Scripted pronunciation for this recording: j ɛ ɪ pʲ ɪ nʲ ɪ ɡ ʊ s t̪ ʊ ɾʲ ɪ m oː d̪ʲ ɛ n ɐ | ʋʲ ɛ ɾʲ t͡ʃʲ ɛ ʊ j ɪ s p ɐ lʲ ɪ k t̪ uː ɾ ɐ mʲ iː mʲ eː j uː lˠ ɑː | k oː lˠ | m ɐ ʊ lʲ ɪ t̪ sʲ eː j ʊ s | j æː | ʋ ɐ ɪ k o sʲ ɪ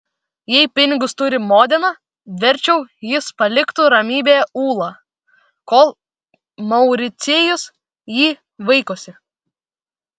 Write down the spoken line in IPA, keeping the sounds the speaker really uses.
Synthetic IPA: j ɛ ɪ pʲ ɪ nʲ ɪ ɡ ʊ s t̪ ʊ ɾʲ ɪ m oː d̪ʲ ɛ n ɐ | ʋʲ ɛ ɾʲ t͡ʃʲ ɛ ʊ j ɪ s p ɐ lʲ ɪ k t̪ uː ɾ ɐ mʲ iː bʲ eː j uː lˠ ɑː | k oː lˠ | m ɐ ʊ ɾʲ ɪ t̪ sʲ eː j ʊ s | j iː | ʋ ɐ ɪ k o sʲ ɪ